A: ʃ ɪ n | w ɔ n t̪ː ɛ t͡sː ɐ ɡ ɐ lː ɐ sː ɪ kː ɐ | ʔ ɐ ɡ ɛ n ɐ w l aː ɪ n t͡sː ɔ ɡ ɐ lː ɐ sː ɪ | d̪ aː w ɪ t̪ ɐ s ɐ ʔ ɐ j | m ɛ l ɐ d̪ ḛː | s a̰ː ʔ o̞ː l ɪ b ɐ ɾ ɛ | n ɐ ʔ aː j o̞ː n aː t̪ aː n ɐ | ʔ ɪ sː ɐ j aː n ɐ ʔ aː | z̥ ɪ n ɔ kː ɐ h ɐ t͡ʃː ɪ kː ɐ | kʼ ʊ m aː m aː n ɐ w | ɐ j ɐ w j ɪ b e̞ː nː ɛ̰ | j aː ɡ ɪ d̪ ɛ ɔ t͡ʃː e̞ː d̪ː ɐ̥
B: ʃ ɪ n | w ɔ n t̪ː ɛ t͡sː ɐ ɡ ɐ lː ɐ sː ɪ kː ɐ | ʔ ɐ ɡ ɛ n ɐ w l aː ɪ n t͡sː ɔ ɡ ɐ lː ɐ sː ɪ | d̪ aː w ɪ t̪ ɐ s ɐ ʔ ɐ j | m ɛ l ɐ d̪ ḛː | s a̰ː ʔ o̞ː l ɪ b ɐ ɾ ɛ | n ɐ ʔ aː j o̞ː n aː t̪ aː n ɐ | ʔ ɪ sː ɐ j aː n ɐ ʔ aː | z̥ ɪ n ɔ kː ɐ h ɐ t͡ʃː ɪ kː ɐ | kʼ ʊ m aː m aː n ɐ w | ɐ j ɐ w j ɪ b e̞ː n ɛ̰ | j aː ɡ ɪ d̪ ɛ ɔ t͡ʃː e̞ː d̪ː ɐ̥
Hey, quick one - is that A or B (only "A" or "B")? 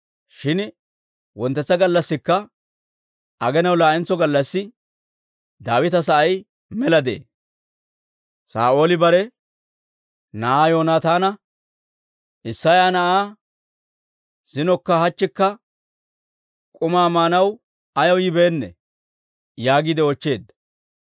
A